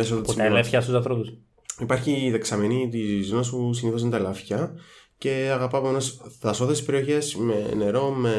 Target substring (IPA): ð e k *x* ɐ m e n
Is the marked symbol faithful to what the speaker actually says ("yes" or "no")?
no